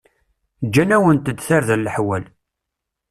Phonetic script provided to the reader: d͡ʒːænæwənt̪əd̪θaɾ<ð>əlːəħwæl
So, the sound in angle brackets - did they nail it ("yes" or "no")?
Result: yes